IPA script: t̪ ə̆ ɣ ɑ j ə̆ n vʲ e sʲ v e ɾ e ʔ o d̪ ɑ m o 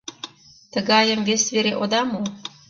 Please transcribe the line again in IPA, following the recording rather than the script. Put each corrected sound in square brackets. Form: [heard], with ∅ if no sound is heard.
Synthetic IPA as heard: t̪ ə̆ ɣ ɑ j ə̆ [m] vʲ e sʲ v e ɾ e ʔ o d̪ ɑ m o